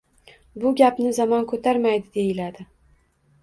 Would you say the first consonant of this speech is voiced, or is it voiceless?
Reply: voiced